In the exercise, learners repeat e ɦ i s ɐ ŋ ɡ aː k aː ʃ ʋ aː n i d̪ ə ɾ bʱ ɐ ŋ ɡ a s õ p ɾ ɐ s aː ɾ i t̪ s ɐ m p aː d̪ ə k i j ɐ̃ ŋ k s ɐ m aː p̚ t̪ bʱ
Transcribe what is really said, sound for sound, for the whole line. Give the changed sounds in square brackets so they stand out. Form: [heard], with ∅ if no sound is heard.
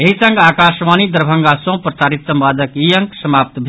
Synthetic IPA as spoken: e ɦ i s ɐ ŋ ɡ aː k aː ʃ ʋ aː n i d̪ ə ɾ bʱ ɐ ŋ ɡ a s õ p ɾ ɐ s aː ɾ i t̪ s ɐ m p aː d̪ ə k i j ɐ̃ ŋ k s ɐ m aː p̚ t̪ bʱ

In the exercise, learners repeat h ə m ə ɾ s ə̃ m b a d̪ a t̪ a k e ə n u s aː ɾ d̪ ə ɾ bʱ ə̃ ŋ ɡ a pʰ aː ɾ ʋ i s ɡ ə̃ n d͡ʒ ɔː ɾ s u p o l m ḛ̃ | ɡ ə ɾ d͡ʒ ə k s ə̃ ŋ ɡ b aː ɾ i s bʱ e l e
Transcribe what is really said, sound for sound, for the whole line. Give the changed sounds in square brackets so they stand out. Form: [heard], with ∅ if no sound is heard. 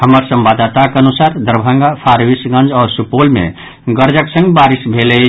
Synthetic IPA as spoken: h ə m ə ɾ s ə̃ m b a d̪ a t̪ a k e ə n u s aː ɾ d̪ ə ɾ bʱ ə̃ ŋ ɡ a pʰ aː ɾ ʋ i s ɡ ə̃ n d͡ʒ ɔː ɾ s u p o l m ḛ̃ | ɡ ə ɾ d͡ʒ ə k s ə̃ ŋ ɡ b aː ɾ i s bʱ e l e

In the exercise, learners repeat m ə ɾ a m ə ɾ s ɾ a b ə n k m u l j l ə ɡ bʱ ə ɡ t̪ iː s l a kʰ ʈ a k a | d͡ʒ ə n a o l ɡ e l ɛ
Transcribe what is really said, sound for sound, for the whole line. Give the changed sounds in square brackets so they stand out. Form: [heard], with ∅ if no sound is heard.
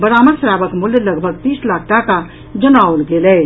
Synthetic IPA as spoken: [b] ə ɾ a m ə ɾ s ɾ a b ə [∅] k m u l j l ə ɡ bʱ ə ɡ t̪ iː s l a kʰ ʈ a k a | d͡ʒ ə n a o l ɡ e l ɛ

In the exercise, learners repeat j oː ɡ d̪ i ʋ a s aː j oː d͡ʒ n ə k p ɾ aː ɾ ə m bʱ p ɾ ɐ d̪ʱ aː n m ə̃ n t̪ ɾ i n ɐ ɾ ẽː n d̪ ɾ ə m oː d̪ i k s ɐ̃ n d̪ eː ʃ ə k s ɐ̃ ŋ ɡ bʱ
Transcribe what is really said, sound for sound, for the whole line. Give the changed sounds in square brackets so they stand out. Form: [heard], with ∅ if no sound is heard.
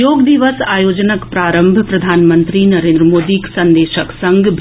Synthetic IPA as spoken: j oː ɡ d̪ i ʋ [ə] s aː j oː d͡ʒ n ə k p ɾ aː ɾ ə m bʱ p ɾ ɐ d̪ʱ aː n m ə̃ n t̪ ɾ i n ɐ ɾ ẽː n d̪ ɾ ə m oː d̪ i k s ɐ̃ n d̪ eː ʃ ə k s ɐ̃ ŋ ɡ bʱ

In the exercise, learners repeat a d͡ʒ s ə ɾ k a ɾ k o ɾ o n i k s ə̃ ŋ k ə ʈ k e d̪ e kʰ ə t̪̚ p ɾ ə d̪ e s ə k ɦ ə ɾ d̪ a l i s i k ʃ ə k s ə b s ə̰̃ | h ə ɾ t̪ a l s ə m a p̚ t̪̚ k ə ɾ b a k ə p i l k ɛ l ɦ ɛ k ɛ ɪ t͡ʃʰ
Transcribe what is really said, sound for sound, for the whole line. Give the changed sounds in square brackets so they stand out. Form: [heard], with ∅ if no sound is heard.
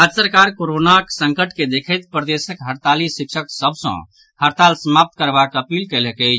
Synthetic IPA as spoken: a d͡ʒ s ə ɾ k a ɾ k o ɾ o n [a] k s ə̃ ŋ k ə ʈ k e d̪ e kʰ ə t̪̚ p ɾ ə d̪ e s ə k ɦ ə ɾ [t̪] a l i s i k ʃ ə k s ə b s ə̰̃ | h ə ɾ t̪ a l s ə m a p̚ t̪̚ k ə ɾ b a k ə p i l k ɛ l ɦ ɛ k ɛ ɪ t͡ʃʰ

